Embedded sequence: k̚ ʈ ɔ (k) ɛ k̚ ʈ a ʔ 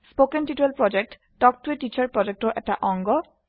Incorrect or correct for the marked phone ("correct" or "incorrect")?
incorrect